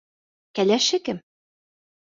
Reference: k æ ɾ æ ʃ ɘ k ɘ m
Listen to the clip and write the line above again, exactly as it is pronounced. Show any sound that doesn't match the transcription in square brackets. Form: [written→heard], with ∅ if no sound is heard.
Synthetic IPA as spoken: k æ [ɾ→l] æ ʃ ɘ k ɘ m